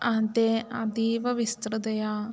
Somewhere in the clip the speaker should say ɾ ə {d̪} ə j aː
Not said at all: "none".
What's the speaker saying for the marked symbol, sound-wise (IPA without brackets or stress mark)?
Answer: d̪